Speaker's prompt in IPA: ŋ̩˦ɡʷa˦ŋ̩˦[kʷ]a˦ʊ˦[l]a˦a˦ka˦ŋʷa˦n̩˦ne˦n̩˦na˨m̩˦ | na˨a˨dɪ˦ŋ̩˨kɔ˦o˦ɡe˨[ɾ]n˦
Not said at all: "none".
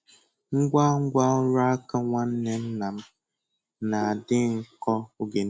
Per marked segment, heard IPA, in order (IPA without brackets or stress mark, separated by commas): ɡʷ, ɾ, none